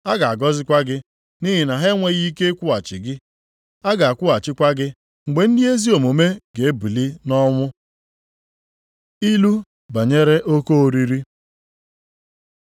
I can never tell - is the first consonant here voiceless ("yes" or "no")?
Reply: no